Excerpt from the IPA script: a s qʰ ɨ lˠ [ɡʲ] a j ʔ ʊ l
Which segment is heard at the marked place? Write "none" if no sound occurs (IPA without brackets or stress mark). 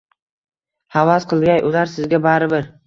ɡʲ